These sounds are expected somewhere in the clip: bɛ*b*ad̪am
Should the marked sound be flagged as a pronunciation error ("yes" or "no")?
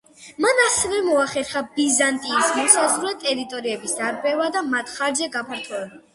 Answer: yes